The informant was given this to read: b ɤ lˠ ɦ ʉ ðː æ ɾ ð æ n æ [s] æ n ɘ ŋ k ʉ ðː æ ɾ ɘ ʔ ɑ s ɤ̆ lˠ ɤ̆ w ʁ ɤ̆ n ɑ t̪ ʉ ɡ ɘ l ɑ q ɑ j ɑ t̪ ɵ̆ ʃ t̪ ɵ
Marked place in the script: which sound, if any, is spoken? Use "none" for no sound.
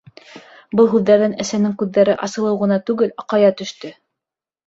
s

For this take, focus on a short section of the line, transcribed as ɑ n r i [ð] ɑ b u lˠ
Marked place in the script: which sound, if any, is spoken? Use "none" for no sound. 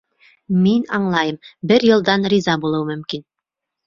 z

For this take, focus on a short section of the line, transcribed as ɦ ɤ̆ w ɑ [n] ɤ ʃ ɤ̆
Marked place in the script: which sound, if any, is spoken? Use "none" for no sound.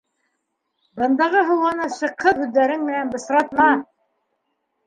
n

